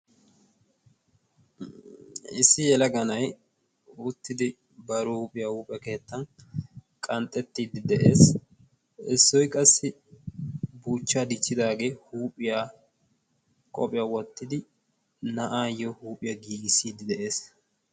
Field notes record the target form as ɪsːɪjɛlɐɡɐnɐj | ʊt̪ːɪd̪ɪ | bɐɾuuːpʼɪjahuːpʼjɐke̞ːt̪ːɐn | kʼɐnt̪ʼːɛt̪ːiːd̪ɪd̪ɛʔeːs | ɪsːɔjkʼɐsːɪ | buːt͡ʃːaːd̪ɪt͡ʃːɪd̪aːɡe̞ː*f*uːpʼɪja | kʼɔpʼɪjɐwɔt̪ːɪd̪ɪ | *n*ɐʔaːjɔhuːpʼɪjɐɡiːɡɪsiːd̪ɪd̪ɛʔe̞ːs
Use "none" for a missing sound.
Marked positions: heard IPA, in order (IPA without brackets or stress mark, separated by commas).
h, n